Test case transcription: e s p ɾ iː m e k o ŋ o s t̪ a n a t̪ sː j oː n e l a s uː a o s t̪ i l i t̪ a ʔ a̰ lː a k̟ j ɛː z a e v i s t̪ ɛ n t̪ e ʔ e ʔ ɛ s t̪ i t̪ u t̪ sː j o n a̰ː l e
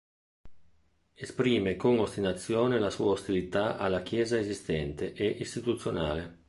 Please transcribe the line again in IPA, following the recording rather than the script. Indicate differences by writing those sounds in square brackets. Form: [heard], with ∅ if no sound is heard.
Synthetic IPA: e s p ɾ iː m e k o ŋ o s t̪ [i] n a t̪ sː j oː n e l a s uː a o s t̪ i l i t̪ a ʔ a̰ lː a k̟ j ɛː z a e [z] i s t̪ ɛ n t̪ e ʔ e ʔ [i] s t̪ i t̪ u t̪ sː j o n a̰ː l e